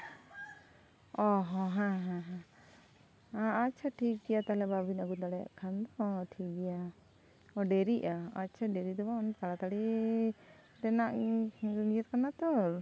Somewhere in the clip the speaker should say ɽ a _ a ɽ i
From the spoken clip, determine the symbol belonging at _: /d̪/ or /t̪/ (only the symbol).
t̪